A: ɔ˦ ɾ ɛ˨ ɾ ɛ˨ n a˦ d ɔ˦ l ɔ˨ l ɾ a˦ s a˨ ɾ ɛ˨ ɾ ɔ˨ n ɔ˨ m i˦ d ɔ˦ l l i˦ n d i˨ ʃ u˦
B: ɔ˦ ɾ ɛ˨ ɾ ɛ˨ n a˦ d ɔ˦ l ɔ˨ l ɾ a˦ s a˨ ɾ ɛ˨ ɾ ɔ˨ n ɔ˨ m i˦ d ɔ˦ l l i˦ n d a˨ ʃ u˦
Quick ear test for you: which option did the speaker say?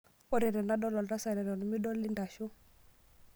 B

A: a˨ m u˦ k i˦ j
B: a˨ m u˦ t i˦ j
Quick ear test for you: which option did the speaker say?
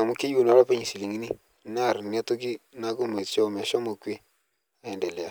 A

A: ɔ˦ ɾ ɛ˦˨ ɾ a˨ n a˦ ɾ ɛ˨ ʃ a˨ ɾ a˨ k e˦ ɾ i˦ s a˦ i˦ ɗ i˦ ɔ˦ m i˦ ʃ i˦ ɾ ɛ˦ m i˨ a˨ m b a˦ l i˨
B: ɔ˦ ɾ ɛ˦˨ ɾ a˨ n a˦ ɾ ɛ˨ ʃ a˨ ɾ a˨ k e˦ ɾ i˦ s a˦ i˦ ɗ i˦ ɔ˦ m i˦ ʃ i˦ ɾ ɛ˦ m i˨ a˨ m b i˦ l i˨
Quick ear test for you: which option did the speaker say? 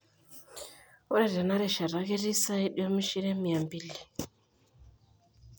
B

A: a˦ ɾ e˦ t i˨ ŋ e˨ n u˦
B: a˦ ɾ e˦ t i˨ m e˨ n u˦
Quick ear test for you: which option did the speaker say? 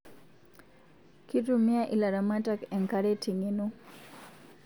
A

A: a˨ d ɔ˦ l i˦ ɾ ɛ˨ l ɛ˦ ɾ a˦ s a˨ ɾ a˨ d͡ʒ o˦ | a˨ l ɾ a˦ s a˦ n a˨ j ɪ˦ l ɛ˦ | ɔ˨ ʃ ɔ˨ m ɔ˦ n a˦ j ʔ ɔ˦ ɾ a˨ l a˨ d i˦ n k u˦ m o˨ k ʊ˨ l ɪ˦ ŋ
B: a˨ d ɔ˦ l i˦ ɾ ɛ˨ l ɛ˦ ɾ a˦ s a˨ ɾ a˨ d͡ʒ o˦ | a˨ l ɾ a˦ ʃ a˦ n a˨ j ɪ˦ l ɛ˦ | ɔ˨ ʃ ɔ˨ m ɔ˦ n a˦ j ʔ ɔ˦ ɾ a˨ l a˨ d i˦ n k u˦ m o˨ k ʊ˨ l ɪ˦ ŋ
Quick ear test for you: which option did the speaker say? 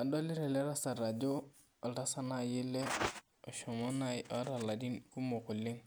A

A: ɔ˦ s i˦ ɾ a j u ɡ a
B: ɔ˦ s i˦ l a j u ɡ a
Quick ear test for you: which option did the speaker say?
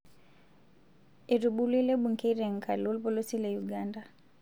B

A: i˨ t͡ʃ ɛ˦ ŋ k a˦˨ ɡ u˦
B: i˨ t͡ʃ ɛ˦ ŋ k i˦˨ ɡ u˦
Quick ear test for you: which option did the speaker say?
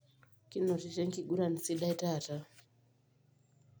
B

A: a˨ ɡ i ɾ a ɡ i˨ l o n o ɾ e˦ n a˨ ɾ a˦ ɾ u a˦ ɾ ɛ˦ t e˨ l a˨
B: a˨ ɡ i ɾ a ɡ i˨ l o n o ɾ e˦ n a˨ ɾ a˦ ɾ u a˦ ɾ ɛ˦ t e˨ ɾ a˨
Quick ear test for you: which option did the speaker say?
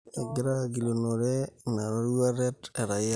B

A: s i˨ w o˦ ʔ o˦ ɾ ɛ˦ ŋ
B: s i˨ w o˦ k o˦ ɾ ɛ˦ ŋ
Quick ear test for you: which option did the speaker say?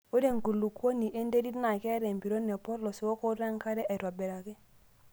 B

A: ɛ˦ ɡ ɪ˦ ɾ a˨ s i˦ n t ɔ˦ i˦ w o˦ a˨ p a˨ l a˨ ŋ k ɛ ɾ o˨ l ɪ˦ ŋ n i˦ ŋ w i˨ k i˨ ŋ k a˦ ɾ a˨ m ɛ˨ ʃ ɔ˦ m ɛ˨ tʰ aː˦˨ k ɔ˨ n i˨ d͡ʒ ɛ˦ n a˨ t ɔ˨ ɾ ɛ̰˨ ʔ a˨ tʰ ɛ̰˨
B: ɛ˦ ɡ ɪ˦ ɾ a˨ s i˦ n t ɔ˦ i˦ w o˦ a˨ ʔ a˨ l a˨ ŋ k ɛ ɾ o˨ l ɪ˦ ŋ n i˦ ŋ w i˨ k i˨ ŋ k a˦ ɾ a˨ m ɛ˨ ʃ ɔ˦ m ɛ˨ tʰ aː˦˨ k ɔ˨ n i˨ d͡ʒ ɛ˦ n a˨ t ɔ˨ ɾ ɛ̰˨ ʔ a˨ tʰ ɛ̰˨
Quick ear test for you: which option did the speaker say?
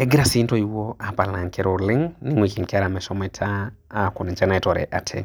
A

